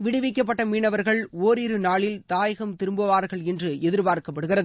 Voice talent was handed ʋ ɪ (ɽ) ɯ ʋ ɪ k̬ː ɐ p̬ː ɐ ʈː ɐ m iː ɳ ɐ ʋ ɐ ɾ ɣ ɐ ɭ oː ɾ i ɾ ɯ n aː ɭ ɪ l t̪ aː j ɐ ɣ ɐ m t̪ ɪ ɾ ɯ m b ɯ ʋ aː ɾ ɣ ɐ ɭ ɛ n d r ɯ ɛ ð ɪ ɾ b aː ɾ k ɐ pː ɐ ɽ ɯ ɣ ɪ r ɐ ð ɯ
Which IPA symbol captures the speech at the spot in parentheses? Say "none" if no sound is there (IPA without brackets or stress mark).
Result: ɽ